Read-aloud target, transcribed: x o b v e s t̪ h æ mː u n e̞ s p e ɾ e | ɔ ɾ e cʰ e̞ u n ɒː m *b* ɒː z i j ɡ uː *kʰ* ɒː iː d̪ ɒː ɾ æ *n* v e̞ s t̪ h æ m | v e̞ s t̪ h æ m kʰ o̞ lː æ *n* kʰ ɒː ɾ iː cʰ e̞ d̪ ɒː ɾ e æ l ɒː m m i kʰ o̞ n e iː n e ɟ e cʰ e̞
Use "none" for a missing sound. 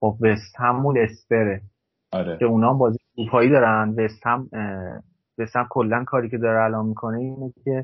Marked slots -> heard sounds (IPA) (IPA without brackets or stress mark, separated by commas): b, pʰ, n, n